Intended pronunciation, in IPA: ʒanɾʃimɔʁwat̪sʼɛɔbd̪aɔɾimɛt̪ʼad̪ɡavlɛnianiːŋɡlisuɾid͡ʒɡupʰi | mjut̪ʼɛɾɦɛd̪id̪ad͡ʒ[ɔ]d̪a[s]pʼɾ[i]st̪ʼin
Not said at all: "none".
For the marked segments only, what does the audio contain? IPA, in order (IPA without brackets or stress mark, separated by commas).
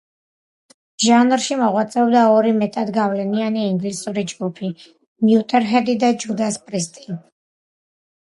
u, s, i